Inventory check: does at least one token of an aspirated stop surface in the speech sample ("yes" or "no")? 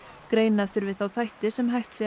no